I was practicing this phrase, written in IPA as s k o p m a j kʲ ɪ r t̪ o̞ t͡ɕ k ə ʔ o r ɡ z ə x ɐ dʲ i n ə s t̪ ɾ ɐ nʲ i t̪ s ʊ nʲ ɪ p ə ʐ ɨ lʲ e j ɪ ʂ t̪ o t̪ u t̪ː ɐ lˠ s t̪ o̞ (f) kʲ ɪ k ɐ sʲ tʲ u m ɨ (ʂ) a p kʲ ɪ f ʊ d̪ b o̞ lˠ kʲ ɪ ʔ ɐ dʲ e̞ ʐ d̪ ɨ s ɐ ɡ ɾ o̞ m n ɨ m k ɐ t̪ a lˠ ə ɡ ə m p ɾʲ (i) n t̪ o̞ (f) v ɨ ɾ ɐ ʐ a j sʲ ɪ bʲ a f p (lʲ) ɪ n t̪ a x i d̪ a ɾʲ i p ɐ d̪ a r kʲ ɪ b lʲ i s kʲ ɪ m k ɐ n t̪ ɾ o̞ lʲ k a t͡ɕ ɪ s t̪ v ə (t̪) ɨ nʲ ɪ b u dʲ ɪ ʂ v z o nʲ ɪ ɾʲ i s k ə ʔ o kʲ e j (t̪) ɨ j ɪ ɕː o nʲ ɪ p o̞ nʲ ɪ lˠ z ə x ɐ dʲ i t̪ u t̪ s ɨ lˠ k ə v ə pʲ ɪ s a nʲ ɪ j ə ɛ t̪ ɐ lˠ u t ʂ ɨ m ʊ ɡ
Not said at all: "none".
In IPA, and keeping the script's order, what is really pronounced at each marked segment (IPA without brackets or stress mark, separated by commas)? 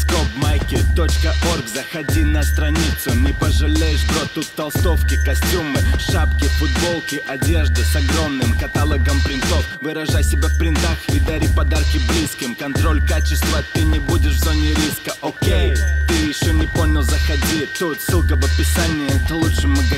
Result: f, ʂ, ɪ, f, ɾʲ, t̪, t̪